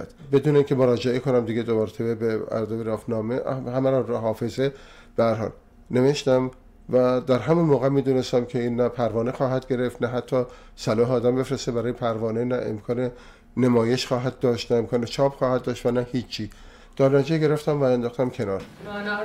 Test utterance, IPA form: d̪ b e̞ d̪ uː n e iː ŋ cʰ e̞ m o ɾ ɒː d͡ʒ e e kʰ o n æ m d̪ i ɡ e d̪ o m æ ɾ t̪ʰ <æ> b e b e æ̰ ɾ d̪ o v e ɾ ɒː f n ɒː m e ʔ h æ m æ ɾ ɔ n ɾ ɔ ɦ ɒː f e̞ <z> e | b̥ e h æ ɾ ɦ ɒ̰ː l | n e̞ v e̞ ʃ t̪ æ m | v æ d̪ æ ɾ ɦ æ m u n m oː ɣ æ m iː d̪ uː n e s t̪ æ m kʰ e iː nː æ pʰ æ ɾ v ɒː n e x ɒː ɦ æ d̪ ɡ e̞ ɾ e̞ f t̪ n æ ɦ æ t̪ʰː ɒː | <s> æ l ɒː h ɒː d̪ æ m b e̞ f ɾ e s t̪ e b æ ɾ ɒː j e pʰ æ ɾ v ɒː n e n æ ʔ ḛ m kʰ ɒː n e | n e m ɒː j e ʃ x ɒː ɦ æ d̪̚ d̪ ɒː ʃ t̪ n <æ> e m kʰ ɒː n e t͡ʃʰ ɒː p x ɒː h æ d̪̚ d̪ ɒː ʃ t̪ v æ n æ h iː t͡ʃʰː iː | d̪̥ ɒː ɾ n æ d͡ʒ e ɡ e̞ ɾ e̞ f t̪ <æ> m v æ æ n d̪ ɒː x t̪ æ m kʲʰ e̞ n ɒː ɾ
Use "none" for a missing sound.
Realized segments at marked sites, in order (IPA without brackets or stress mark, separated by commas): e, z, s, æ, æ